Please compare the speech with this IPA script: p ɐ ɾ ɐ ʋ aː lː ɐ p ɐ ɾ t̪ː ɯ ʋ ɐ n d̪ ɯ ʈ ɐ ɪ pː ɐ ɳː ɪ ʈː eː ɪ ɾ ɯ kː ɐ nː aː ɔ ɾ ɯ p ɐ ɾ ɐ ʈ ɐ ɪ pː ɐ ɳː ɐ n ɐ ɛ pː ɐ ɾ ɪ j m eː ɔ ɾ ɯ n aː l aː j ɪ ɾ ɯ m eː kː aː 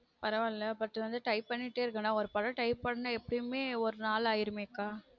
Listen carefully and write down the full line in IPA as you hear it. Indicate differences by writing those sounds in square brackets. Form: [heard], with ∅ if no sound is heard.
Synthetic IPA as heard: p ɐ ɾ ɐ ʋ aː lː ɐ p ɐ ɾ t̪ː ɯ ʋ ɐ n d̪ ɯ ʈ ɐ ɪ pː ɐ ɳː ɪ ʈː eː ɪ ɾ ɯ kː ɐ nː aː ɔ ɾ ɯ p ɐ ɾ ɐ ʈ ɐ ɪ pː ɐ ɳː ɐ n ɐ ɛ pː ɐ [ɽ] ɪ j m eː ɔ ɾ ɯ n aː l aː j ɪ ɾ ɯ m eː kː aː